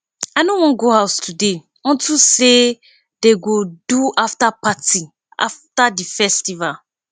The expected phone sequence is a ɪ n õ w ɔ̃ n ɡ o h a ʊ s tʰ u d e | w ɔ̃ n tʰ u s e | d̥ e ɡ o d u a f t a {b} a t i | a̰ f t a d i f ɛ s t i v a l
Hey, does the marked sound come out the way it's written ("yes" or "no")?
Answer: no